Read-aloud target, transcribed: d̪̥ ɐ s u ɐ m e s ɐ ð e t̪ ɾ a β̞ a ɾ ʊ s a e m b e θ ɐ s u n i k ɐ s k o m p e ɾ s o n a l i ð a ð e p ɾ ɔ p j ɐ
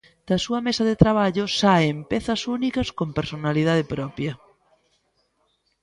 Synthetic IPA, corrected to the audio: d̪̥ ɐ s u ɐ m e s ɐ ð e t̪ ɾ a β̞ a ʎ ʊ s a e m p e θ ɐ s u n i k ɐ s k o m p e ɾ s o n a l i ð a ð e p ɾ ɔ p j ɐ